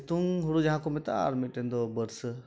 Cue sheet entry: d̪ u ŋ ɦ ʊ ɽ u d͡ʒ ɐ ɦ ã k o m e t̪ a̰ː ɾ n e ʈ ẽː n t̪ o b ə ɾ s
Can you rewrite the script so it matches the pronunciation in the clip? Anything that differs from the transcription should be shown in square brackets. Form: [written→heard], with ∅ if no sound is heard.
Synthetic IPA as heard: [d̪→t̪] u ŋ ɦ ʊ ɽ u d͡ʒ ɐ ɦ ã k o m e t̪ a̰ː ɾ [n→m] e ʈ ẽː n [t̪→d̪] o b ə ɾ s